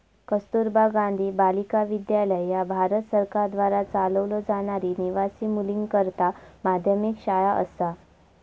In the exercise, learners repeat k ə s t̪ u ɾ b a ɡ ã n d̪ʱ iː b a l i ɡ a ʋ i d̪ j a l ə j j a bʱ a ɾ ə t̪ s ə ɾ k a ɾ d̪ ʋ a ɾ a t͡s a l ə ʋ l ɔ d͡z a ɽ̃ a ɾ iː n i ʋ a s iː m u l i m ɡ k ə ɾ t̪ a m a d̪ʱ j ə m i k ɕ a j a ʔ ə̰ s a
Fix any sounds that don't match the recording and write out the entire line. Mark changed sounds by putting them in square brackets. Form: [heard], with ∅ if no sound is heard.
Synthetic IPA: k ə s t̪ u ɾ b a ɡ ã n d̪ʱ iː b a l i [k] a ʋ i d̪ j a l ə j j a bʱ a ɾ ə t̪ s ə ɾ k a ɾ d̪ ʋ a ɾ a t͡s a l ə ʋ l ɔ d͡z a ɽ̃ a ɾ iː n i ʋ a s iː m u l i [ŋ] ɡ k ə ɾ t̪ a m a d̪ʱ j ə m i k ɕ a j a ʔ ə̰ s a